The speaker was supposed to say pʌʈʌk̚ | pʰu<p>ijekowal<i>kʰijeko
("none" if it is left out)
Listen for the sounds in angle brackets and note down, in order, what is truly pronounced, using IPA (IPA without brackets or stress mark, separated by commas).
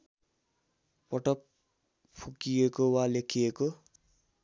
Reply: k, e